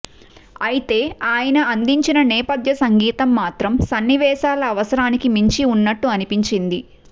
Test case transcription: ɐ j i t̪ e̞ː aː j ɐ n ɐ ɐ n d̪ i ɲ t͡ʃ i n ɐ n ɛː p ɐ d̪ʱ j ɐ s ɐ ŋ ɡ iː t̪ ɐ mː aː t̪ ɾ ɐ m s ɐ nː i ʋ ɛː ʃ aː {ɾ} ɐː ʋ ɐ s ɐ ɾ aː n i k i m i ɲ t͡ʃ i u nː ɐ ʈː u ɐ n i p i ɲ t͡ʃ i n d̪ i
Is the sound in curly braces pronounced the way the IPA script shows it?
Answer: no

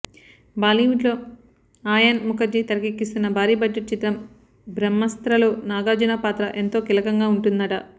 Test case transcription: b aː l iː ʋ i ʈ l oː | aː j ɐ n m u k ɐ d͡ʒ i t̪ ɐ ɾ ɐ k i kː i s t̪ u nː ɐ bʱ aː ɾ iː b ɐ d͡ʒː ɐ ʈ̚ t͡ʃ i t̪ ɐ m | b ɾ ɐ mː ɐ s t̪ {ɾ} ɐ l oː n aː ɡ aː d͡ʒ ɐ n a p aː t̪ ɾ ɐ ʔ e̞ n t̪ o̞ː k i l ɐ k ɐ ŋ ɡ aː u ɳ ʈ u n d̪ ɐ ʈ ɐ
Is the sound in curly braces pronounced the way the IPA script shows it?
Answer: yes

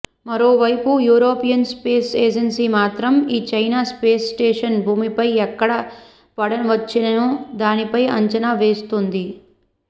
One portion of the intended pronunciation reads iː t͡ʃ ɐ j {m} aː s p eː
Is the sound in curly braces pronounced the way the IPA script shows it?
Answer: no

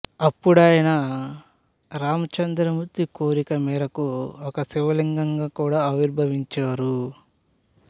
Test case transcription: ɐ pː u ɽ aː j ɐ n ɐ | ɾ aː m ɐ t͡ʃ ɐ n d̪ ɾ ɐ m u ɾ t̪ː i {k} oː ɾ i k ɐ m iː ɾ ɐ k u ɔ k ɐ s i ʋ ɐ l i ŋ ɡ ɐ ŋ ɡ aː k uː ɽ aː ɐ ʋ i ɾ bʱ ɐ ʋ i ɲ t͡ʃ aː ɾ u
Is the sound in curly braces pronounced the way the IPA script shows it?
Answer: yes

